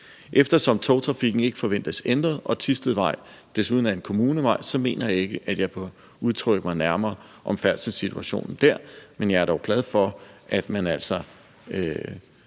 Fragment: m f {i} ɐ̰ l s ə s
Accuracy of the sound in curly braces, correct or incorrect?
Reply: incorrect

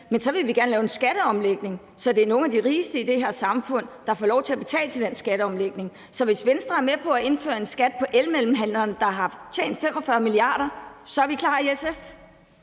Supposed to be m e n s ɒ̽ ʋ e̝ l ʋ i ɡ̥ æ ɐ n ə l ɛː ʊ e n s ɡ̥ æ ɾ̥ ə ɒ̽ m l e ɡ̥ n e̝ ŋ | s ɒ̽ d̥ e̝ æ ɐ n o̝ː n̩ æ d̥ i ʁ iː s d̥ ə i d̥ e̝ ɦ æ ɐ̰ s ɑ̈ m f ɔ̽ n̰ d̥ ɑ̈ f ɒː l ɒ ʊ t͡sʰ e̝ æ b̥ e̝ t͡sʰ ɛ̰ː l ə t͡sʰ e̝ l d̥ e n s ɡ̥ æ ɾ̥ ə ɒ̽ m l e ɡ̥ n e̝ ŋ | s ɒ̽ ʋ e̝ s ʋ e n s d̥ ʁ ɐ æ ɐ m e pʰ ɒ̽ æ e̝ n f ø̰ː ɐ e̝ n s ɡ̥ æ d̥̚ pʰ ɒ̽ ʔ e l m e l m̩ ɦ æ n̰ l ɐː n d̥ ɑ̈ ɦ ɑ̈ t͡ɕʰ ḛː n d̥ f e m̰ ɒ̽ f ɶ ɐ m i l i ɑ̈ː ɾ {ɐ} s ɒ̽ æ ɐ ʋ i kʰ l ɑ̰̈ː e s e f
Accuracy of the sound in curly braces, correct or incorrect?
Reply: correct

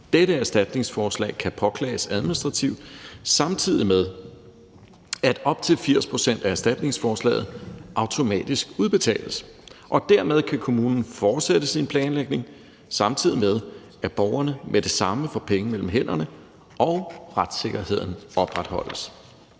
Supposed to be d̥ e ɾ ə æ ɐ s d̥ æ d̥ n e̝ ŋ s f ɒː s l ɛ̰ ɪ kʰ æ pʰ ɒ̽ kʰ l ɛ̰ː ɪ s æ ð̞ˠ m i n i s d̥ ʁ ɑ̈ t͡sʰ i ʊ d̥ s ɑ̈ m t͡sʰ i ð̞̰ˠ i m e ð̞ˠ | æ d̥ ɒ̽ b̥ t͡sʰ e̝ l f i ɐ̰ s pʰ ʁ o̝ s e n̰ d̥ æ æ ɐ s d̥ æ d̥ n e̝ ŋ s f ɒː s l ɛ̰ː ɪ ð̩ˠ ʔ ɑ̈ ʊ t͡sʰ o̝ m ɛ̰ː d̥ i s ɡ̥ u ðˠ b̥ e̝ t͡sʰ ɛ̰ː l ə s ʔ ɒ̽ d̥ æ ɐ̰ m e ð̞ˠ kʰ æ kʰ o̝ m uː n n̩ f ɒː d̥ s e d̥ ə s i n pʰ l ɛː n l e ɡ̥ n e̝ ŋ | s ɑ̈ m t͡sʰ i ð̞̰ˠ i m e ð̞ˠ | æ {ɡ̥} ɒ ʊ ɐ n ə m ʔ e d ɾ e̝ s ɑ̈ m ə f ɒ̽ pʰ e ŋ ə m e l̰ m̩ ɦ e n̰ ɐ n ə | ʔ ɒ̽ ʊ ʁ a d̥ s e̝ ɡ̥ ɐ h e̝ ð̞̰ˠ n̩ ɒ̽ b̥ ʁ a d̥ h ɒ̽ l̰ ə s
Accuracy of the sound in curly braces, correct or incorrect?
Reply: incorrect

